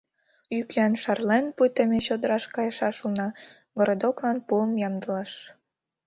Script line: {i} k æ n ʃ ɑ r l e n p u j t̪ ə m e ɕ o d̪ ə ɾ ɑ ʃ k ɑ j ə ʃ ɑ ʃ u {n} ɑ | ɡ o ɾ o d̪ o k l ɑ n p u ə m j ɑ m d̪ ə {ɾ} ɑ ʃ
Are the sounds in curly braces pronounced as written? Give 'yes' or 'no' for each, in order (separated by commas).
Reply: no, yes, no